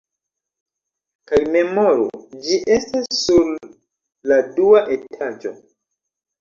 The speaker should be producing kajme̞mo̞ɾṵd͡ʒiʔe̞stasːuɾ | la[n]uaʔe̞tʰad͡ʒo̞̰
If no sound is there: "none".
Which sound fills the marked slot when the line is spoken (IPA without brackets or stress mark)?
d